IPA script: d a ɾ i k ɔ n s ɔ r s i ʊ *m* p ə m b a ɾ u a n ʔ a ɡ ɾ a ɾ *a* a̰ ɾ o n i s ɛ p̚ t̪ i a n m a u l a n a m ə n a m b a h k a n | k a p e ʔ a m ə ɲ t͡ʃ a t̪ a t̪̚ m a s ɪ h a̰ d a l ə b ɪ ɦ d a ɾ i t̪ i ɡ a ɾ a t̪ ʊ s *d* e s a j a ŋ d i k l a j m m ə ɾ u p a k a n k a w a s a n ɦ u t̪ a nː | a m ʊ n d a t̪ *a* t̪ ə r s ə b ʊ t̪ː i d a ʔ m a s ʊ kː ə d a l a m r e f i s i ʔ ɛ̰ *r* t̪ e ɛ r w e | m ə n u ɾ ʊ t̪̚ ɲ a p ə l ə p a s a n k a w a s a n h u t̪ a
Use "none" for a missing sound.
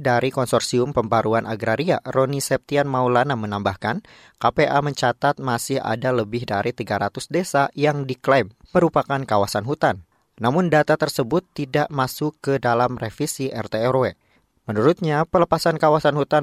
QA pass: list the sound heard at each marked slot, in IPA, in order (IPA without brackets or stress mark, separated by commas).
m, i, d, a, r